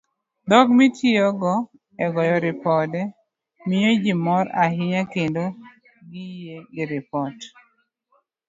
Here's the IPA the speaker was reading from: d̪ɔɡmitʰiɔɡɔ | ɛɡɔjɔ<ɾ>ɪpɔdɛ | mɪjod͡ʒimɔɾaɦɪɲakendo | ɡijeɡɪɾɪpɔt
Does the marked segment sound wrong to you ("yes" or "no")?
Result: no